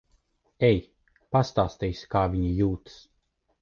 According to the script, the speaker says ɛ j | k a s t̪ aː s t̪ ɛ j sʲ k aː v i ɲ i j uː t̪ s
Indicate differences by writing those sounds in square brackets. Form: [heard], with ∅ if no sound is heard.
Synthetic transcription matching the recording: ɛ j | [p] a s t̪ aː s t̪ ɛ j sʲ k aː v i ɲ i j uː t̪ s